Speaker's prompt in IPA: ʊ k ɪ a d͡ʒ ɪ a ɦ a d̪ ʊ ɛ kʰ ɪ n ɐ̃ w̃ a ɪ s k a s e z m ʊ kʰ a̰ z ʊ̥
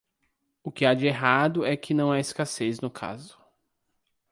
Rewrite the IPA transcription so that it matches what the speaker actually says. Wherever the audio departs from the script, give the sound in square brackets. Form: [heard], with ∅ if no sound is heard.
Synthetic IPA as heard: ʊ k ɪ a d͡ʒ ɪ [e] ɦ a d̪ ʊ ɛ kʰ ɪ n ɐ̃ w̃ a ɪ s k a s e z [n] ʊ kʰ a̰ z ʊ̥

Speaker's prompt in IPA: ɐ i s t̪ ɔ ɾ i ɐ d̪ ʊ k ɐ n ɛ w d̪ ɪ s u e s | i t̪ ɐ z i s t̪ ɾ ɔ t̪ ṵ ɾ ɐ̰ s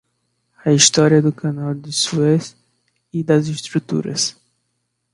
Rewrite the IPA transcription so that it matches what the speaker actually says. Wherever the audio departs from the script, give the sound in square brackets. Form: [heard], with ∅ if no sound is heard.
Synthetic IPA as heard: ɐ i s t̪ ɔ ɾ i ɐ d̪ ʊ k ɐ n [a] w d̪ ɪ s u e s | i [d̪] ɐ z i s t̪ ɾ [u] t̪ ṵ ɾ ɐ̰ s

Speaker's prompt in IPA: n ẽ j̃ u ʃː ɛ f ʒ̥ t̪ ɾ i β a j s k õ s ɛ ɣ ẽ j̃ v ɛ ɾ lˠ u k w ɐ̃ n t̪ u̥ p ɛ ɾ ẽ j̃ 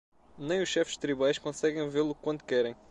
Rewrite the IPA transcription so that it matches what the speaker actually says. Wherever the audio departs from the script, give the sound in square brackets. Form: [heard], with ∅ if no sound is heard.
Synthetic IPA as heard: n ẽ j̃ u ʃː ɛ f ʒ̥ t̪ ɾ i β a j [ʃ] k õ s ɛ ɣ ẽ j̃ v [e] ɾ lˠ u k w ɐ̃ n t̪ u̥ [k] ɛ ɾ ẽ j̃

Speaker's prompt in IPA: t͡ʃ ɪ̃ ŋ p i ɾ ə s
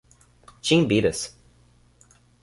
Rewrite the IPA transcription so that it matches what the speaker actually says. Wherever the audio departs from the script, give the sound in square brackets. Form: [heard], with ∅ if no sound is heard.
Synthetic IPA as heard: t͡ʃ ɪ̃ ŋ [b] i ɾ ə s

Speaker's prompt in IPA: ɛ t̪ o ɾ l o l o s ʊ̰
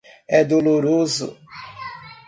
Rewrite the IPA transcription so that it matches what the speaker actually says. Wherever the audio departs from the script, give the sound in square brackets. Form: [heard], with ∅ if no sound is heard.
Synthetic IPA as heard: ɛ [d̪] o [∅] l o [ɾ] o [z] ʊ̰

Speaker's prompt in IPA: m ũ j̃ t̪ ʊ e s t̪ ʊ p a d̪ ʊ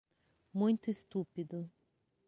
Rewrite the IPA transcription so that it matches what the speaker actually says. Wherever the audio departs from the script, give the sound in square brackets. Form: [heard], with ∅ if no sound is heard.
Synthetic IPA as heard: m ũ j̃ t̪ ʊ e s t̪ [u] p [i] d̪ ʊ

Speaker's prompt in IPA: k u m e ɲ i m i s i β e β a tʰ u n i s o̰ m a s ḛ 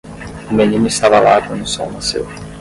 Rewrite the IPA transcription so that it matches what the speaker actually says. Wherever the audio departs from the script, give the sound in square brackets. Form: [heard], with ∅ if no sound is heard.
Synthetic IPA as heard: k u m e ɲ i m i s [a] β [a] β a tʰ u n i s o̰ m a s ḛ

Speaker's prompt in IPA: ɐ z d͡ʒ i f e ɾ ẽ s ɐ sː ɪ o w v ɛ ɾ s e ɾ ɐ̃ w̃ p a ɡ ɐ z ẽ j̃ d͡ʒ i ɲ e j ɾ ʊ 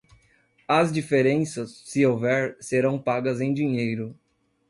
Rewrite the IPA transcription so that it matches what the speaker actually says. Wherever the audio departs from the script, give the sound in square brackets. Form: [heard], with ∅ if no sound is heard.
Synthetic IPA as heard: ɐ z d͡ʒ i f e ɾ ẽ s ɐ sː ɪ o w v ɛ ɾ s e ɾ ɐ̃ w̃ p a ɡ ɐ z ẽ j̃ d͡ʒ i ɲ e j ɾ ʊ

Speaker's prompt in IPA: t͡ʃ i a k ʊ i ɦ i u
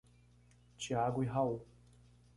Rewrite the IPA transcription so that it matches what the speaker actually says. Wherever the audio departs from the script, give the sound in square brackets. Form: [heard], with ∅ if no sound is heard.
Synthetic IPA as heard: t͡ʃ i a [ɡ] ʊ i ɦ [a] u

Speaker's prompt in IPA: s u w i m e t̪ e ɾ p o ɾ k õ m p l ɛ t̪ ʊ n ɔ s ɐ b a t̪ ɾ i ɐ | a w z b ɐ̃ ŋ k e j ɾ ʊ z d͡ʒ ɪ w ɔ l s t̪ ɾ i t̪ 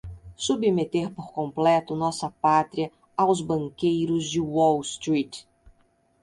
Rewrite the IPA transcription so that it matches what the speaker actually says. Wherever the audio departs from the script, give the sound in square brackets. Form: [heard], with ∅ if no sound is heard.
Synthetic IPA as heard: s u [b] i m e t̪ e ɾ p o ɾ k õ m p l ɛ t̪ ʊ n ɔ s ɐ [p] a t̪ ɾ i ɐ | a w z b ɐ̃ ŋ k e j ɾ ʊ z d͡ʒ ɪ w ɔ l s t̪ ɾ i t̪

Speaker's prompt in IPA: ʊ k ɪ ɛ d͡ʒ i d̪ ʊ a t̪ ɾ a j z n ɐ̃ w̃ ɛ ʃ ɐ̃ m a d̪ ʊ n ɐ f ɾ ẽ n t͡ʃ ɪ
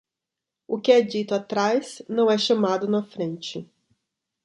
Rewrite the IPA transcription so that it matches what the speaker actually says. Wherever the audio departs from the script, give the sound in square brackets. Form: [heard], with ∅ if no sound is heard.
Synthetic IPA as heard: ʊ k ɪ ɛ d͡ʒ i [t̪] ʊ a t̪ ɾ a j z n ɐ̃ w̃ ɛ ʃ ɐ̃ m a d̪ ʊ n ɐ f ɾ ẽ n t͡ʃ ɪ

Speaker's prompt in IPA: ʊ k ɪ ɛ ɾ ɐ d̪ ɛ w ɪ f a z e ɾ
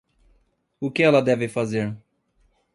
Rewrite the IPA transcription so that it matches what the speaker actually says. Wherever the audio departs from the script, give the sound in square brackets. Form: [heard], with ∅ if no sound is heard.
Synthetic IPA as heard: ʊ k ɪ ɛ [l] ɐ d̪ ɛ [v] ɪ f a z e ɾ

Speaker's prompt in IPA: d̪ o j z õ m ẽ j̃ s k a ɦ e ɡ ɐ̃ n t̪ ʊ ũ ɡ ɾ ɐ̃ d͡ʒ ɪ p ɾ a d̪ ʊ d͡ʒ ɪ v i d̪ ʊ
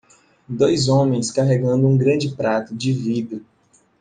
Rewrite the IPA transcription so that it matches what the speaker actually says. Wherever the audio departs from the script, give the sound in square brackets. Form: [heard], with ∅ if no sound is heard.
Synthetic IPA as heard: d̪ o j z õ m ẽ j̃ s k a ɦ e ɡ ɐ̃ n [d̪] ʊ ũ ɡ ɾ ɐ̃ d͡ʒ ɪ p ɾ a [t̪] ʊ d͡ʒ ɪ v i d̪ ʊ

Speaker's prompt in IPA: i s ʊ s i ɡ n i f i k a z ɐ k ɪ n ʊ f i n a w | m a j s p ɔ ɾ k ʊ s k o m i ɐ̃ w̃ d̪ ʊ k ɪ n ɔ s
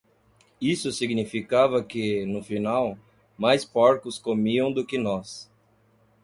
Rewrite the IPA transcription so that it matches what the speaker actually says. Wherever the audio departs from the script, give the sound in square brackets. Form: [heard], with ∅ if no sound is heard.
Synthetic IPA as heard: i s ʊ s i ɡ n i f i k a [v] ɐ k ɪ n ʊ f i n a w | m a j s p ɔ ɾ k ʊ s k o m i ɐ̃ w̃ d̪ ʊ k ɪ n ɔ s

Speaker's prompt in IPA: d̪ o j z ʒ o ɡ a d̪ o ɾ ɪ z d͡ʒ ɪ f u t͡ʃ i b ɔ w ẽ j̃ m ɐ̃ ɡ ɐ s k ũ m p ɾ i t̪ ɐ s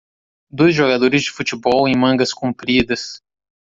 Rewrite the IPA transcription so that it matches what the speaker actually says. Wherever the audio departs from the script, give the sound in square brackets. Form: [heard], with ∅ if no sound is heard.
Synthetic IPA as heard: d̪ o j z ʒ o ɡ a d̪ o ɾ ɪ z d͡ʒ ɪ f u t͡ʃ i b ɔ w ẽ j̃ m ɐ̃ ɡ ɐ s k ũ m p ɾ i [d̪] ɐ s

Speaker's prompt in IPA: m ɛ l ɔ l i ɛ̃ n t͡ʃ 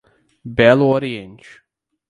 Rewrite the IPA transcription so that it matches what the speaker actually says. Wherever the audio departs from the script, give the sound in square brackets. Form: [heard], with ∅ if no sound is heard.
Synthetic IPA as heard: [b] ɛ l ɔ [ɾ] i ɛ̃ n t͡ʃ

